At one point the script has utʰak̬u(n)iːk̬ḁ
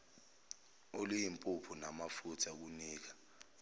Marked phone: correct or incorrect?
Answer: correct